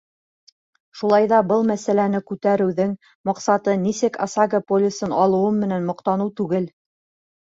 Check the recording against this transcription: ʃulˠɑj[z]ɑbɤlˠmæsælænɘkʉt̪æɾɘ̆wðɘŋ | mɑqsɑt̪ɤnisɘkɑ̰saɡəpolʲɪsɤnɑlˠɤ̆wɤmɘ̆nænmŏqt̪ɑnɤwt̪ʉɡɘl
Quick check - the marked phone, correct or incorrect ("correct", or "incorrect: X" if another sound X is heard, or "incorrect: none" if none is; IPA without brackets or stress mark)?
incorrect: ð